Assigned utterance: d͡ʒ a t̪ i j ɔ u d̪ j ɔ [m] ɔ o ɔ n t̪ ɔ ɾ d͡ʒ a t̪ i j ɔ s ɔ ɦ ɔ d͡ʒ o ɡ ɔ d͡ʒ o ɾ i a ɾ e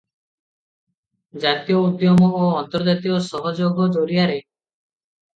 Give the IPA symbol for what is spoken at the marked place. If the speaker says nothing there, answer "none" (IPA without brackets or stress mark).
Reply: m